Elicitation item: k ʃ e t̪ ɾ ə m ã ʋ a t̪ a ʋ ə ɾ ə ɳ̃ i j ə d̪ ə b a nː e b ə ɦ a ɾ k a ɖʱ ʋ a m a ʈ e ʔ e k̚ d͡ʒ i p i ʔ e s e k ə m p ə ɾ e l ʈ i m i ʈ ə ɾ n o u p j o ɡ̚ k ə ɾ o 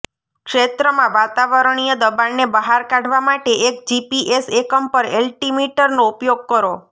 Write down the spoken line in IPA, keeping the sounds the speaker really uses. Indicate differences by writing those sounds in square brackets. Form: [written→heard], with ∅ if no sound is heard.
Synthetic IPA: k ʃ e t̪ ɾ ə m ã ʋ a t̪ a ʋ ə ɾ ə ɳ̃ i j ə d̪ ə b a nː e b ə ɦ a ɾ k a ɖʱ ʋ a m a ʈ e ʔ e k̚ d͡ʒ i p i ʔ e s e k ə m p ə ɾ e l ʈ i m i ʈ ə ɾ n o u p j o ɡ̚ k ə ɾ o